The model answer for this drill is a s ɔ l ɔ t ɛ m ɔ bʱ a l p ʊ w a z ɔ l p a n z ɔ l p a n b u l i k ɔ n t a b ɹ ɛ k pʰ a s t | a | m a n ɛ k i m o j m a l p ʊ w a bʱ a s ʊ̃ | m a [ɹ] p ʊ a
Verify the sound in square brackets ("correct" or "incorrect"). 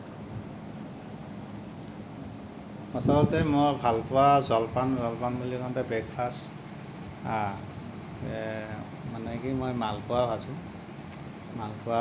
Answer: incorrect